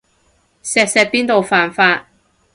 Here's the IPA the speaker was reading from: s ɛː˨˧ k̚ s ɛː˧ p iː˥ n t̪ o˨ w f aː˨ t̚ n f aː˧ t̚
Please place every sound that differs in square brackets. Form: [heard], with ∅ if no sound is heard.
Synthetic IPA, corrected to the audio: s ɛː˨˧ k̚ s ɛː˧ p iː˥ n t̪ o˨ w f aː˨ [∅] n f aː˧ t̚

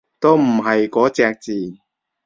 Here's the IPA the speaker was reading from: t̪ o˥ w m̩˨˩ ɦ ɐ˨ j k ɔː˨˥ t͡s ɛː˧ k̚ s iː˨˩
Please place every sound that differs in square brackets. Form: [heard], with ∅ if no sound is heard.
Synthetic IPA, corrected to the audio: t̪ o˥ w m̩˨˩ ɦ ɐ˨ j k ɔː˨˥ t͡s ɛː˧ k̚ [t͡s] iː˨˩

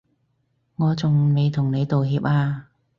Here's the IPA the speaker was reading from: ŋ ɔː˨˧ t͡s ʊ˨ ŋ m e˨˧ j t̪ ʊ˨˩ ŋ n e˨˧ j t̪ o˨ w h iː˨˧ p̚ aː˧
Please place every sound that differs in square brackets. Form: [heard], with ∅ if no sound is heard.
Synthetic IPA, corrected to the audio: ŋ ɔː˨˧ t͡s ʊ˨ ŋ m e˨˧ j [t̪ʰ] ʊ˨˩ ŋ n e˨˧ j t̪ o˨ w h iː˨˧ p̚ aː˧

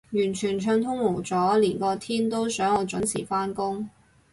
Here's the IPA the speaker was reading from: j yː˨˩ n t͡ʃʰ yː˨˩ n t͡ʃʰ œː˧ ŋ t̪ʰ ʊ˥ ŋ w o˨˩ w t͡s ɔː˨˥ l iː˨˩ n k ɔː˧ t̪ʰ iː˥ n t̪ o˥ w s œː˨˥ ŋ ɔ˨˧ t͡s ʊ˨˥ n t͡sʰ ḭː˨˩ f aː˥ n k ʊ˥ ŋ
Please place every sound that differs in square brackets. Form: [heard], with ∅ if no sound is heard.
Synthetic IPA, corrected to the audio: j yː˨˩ n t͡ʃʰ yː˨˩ n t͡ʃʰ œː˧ ŋ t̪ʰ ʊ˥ ŋ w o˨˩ w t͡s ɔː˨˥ l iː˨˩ n k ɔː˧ t̪ʰ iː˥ n t̪ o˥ w s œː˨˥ ŋ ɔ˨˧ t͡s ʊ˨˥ n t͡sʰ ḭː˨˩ f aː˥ n k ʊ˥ ŋ

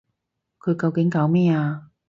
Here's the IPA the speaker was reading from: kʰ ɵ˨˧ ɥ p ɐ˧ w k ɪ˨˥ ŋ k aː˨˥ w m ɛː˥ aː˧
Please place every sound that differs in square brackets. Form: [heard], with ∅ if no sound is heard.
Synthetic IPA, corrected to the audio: kʰ ɵ˨˧ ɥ [k] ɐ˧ w k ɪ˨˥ ŋ k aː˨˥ w m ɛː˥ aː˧

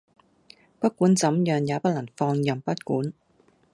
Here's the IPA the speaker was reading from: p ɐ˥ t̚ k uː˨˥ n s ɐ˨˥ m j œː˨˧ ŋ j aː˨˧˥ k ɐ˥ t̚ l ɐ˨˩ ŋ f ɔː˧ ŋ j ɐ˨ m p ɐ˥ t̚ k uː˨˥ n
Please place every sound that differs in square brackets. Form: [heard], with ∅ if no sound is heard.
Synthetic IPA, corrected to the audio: p ɐ˥ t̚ k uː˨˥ n [t͡s] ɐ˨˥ m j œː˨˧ ŋ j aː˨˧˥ [p] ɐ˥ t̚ l ɐ˨˩ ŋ f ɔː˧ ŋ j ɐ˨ m p ɐ˥ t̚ k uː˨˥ n

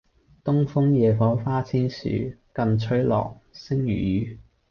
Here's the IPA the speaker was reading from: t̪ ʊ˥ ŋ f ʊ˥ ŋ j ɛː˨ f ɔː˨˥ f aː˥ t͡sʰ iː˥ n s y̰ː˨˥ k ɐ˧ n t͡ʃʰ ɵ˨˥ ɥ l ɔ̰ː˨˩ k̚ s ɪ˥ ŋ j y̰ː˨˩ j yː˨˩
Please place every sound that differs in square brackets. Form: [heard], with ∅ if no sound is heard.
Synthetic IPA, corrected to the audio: t̪ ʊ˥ ŋ f ʊ˥ ŋ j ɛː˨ f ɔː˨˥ f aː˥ t͡sʰ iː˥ n s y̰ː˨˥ k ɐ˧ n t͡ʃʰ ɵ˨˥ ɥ l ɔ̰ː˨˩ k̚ s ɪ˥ ŋ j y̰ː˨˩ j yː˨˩

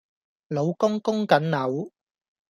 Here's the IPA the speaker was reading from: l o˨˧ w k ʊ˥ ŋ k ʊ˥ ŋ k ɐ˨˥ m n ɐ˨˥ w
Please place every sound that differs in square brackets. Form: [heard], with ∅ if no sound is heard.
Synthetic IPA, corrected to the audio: l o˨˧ w k ʊ˥ ŋ k ʊ˥ ŋ k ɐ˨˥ [n] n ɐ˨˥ w

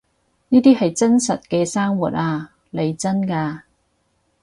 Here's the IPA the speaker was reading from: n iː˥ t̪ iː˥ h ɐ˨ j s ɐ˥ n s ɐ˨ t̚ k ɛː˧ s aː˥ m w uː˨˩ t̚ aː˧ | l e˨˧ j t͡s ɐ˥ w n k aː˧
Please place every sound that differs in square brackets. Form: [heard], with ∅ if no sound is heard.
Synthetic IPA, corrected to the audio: n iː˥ t̪ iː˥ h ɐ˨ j [t͡s] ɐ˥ n s ɐ˨ t̚ k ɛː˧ s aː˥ [ŋ] w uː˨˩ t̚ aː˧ | l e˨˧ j t͡s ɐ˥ [∅] n k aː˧

